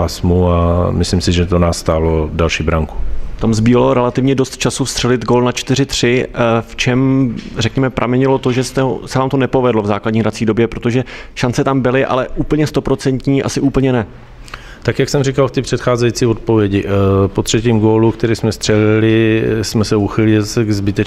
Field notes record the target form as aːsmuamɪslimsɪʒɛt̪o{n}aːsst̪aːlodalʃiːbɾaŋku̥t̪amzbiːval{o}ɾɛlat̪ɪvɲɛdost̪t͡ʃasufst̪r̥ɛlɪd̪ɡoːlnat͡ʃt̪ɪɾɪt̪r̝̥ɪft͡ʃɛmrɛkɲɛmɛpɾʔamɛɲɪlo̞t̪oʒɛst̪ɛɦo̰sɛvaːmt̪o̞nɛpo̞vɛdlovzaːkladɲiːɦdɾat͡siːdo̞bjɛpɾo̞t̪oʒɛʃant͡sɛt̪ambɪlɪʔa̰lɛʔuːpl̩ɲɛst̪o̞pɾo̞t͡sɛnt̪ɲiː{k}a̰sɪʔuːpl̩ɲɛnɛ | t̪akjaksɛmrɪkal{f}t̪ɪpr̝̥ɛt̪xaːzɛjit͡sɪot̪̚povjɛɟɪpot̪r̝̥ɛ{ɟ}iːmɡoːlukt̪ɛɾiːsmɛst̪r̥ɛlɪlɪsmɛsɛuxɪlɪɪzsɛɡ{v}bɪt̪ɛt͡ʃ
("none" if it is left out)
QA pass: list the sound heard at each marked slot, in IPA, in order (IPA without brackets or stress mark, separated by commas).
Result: n, o, ʔ, f, c, z